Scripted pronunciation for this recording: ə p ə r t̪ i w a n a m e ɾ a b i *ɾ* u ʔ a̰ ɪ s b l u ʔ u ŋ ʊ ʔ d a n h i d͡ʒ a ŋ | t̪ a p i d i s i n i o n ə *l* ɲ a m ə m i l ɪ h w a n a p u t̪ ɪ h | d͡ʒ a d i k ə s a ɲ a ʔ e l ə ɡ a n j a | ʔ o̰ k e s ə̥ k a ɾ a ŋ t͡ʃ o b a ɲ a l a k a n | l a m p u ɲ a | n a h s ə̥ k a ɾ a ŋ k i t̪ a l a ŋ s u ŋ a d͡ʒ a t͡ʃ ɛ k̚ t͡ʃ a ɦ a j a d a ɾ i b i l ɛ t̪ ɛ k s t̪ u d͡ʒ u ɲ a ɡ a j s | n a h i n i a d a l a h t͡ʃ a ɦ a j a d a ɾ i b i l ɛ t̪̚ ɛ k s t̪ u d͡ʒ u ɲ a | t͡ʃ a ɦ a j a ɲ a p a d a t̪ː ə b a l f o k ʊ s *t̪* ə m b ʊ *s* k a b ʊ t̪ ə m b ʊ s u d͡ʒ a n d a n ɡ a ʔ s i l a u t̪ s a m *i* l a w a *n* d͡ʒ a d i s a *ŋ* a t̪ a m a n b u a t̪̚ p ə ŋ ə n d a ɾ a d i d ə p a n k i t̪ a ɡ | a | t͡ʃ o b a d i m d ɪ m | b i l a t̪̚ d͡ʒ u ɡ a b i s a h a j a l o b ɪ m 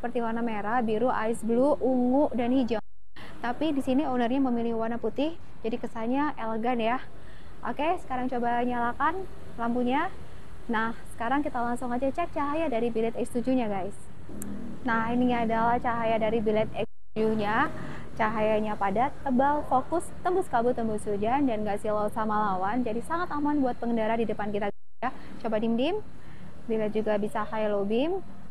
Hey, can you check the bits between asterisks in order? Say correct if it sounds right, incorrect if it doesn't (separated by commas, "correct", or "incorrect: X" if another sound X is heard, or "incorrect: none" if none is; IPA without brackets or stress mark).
correct, incorrect: r, correct, correct, incorrect: a, correct, correct